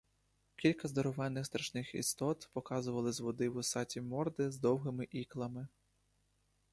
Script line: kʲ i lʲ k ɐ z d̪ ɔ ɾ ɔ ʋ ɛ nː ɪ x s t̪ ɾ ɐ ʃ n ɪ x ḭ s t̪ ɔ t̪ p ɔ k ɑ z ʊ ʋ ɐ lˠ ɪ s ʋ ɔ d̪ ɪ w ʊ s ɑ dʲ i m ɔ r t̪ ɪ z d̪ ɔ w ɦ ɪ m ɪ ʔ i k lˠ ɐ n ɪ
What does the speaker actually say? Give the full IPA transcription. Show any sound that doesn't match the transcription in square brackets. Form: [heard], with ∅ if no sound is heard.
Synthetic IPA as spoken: kʲ i lʲ k ɐ z d̪ ɔ ɾ ɔ ʋ ɛ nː ɪ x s t̪ ɾ ɐ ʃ n ɪ x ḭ s t̪ ɔ t̪ p ɔ k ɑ z ʊ ʋ ɐ lˠ ɪ [z] ʋ ɔ d̪ ɪ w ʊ s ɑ [tʲ] i m ɔ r [d̪] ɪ z d̪ ɔ w ɦ ɪ m ɪ ʔ i k lˠ ɐ [m] ɪ